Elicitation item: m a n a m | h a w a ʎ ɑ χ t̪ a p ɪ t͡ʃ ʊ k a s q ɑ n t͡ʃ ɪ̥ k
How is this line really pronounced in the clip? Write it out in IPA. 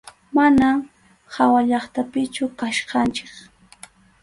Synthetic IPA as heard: m a n a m | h a w a ʎ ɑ χ t̪ a p ɪ t͡ʃ ʊ k a ʃ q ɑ n t͡ʃ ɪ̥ k

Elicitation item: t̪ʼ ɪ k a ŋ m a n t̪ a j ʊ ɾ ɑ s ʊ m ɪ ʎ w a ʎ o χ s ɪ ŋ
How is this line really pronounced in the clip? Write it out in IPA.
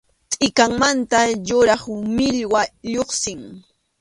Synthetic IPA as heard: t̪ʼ ɪ k a ŋ m a n t̪ a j ʊ ɾ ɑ χ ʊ m ɪ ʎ w a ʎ o χ s ɪ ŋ

